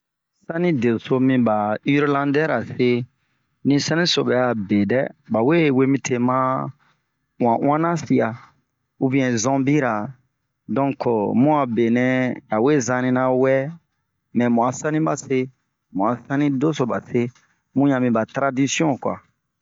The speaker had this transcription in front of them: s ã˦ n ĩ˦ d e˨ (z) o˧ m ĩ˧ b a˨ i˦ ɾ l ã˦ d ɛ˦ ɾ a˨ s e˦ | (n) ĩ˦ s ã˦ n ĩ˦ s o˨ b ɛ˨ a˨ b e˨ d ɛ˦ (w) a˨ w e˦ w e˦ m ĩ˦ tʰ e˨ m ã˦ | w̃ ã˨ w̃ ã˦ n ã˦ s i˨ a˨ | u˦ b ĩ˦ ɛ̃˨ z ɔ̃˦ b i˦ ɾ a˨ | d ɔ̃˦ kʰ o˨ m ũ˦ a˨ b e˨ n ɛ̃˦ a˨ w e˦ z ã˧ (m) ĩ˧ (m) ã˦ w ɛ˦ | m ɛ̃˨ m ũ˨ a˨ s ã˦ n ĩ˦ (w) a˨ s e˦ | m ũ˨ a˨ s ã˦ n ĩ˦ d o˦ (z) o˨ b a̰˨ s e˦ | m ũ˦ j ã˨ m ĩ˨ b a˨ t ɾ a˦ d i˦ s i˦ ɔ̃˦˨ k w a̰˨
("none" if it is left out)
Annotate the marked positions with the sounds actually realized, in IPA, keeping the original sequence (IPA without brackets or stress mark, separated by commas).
s, n, b, n, n, b, s